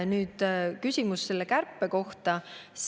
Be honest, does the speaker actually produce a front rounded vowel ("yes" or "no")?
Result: yes